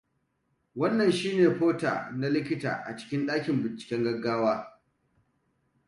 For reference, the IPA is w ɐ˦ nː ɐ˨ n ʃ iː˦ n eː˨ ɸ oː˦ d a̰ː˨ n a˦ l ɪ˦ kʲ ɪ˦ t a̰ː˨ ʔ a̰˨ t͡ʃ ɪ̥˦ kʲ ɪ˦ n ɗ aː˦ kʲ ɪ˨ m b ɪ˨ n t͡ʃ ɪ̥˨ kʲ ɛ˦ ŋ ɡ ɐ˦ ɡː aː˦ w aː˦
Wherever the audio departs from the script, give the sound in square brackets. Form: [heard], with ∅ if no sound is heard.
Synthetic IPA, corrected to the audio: w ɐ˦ nː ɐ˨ n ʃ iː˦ n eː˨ ɸ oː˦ [t] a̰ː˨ n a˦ l ɪ˦ kʲ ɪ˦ t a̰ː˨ ʔ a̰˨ t͡ʃ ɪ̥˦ kʲ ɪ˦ n ɗ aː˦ kʲ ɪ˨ m b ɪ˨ n t͡ʃ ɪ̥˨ kʲ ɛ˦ ŋ ɡ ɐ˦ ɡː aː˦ w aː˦